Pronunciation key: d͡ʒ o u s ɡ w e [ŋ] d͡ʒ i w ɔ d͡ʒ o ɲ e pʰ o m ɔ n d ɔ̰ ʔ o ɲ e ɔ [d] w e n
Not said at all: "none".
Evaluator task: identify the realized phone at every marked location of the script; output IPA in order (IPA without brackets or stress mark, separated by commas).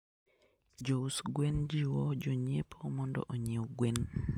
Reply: n, ɡ